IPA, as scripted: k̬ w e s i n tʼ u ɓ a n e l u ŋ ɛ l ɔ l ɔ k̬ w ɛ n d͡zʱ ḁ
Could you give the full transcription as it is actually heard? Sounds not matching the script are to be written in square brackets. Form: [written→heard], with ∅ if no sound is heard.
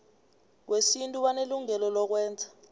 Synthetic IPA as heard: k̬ w e s i n tʼ u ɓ a n e l u ŋ ɛ l ɔ l ɔ k̬ w [ɛ→ɛː] n d͡zʱ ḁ